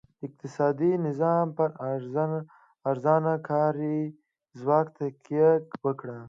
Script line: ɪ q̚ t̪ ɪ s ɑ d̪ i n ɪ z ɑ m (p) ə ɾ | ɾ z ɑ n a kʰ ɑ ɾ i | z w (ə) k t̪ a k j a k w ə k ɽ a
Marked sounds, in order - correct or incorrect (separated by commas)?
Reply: correct, incorrect